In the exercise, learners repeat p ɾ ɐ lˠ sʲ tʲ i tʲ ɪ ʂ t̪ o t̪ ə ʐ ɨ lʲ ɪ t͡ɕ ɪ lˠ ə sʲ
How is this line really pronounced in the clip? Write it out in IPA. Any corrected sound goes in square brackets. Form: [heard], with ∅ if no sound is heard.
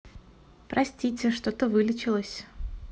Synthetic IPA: p ɾ ɐ [∅] sʲ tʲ i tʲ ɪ ʂ t̪ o t̪ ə [v] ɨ lʲ ɪ t͡ɕ ɪ lˠ ə sʲ

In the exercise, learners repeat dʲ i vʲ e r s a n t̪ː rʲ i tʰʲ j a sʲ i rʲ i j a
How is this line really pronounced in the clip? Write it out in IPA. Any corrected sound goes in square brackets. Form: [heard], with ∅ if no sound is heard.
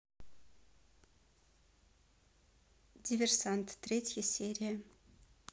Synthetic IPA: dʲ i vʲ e r s a n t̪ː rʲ [e] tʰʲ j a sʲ [e] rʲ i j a

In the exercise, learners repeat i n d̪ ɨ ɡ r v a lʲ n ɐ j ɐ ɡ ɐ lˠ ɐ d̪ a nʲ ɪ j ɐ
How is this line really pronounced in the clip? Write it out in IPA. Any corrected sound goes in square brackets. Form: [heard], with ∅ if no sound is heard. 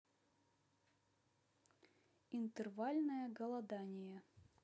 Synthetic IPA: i n [t̪] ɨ [∅] r v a lʲ n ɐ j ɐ ɡ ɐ lˠ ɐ d̪ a nʲ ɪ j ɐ

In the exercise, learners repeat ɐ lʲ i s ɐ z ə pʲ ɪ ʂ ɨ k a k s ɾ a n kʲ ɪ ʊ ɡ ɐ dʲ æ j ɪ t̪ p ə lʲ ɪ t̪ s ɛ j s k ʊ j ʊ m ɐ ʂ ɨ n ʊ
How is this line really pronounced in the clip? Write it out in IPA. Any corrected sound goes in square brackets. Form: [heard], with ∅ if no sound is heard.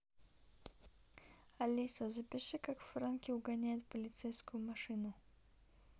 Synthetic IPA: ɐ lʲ i s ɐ z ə pʲ ɪ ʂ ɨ k a k [f] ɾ a n kʲ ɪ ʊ ɡ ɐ [nʲ] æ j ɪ t̪ p ə lʲ ɪ t̪ s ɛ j s k ʊ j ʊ m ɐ ʂ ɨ n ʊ

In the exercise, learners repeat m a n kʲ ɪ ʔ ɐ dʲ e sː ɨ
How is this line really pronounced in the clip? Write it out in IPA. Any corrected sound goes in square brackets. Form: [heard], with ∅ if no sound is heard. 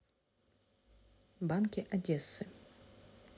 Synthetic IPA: [b] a n kʲ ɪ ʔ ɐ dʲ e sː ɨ

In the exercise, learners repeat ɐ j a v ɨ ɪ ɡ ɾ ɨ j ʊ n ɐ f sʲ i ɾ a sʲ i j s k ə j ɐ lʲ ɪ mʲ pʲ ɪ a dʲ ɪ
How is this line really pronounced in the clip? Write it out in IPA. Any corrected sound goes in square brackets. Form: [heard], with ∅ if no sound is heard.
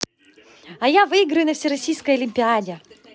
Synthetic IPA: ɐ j a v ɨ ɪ ɡ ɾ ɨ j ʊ n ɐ f sʲ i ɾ [ɐ] sʲ i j s k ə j ɐ lʲ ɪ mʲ pʲ ɪ a dʲ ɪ

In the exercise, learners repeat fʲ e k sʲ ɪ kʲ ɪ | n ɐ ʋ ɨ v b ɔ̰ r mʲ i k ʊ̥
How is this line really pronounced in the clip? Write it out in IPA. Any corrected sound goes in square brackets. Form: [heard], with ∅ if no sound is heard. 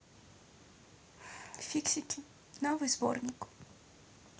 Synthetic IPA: fʲ [i] k sʲ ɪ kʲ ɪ | n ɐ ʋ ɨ [z] b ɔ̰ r [nʲ] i k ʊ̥

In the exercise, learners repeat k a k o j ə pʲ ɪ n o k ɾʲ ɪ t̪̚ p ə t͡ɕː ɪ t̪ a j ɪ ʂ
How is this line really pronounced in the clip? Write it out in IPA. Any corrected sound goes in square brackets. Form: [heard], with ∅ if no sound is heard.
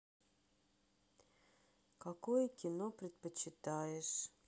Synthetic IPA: k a k o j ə [kʲ] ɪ n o [p] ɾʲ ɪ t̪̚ p ə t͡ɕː ɪ t̪ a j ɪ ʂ

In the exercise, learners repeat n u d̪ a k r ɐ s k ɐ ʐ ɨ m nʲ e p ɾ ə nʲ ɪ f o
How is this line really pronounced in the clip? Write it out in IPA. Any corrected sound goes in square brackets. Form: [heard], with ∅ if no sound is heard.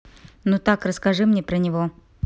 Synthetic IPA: n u [t̪] a k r [ə] s k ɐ ʐ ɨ m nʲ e p ɾ ə nʲ ɪ [v] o

